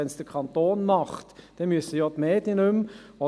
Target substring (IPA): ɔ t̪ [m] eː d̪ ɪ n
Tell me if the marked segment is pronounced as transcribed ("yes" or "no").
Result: yes